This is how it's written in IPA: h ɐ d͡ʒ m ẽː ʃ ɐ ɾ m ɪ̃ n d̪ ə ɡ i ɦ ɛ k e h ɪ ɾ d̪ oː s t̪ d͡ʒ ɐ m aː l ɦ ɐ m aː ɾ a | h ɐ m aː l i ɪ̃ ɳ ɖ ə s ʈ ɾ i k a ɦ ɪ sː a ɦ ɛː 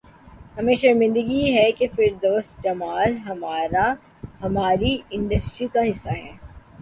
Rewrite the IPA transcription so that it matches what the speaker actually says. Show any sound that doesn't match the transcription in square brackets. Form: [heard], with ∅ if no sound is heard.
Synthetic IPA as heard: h ɐ [∅] m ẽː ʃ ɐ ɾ m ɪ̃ n d̪ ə ɡ i ɦ ɛ k e [f] ɪ ɾ d̪ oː s t̪ d͡ʒ ɐ m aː l ɦ ɐ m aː ɾ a | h ɐ m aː [ɾ] i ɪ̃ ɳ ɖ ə s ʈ ɾ i k a ɦ ɪ sː a ɦ ɛː